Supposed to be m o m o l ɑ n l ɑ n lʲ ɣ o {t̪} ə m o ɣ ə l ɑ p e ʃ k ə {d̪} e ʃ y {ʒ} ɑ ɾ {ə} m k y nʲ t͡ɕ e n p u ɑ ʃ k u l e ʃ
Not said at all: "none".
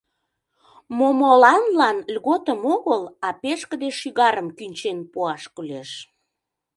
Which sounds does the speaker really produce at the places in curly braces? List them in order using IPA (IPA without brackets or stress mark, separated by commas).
t̪, d̪, ɣ, ə